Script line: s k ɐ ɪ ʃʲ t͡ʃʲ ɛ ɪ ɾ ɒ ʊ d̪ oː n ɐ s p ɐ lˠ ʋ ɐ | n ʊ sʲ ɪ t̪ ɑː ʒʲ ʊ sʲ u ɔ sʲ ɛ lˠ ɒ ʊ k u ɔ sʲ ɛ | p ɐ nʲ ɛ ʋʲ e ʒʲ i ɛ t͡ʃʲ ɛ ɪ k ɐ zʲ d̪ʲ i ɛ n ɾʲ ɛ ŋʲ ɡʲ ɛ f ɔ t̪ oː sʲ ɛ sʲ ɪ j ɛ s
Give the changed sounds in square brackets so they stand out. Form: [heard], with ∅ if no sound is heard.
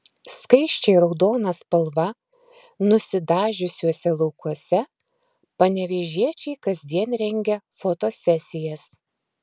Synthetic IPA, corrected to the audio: s k ɐ ɪ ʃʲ t͡ʃʲ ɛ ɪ ɾ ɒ ʊ d̪ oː n ɐ s p ɐ lˠ ʋ ɐ | n ʊ sʲ ɪ [d̪] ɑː ʒʲ ʊ sʲ u ɔ sʲ ɛ lˠ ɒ ʊ k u ɔ sʲ ɛ | p ɐ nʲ ɛ ʋʲ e ʒʲ i ɛ t͡ʃʲ ɛ ɪ k ɐ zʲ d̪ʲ i ɛ n ɾʲ ɛ ŋʲ ɡʲ ɛ f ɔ t̪ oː sʲ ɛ sʲ ɪ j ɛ s